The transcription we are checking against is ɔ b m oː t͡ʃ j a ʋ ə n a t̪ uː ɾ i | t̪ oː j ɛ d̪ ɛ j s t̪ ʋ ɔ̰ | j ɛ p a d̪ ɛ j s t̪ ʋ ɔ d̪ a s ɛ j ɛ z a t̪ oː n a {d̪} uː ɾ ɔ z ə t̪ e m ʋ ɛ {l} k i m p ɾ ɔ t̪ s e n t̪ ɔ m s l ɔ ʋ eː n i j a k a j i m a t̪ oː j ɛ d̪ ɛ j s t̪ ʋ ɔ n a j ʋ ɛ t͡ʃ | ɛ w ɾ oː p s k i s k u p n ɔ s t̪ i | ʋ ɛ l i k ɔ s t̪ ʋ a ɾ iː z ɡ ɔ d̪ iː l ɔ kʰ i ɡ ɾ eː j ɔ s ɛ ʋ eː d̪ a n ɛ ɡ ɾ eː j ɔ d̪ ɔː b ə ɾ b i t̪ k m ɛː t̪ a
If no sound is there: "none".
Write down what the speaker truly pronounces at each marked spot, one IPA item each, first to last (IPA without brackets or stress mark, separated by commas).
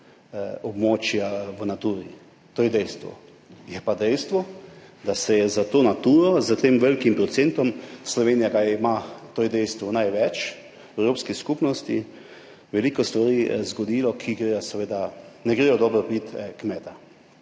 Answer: t̪, l